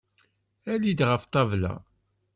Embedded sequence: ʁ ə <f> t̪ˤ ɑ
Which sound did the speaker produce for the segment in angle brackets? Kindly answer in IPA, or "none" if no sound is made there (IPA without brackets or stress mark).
f